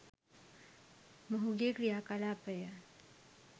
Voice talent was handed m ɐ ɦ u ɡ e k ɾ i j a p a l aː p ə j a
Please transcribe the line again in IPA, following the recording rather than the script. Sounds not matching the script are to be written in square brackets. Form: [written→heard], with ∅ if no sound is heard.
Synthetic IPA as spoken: m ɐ ɦ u ɡ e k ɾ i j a [p→k] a l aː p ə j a

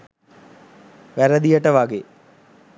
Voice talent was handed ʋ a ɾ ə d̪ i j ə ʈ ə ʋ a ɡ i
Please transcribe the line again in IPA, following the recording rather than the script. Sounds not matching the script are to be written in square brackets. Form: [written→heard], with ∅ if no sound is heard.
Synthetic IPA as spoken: ʋ [a→æ] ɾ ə d̪ i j ə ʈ ə ʋ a ɡ [i→e]

